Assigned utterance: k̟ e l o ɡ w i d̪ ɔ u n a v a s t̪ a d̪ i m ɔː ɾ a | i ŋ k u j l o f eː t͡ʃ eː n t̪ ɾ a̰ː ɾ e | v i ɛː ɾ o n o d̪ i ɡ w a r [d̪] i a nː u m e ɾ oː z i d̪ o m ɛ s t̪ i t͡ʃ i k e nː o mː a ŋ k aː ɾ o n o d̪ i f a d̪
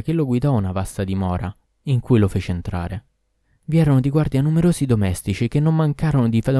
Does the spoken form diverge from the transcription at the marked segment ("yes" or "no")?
no